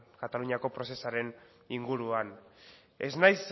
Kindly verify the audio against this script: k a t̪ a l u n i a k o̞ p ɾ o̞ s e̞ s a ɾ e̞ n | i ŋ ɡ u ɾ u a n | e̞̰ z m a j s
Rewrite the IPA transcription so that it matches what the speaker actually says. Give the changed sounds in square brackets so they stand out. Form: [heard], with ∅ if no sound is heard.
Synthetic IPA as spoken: k a t̪ a l u [ɲ] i a k o̞ p ɾ o̞ s e̞ s a ɾ e̞ n | i ŋ ɡ u ɾ u a n | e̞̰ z [n] a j s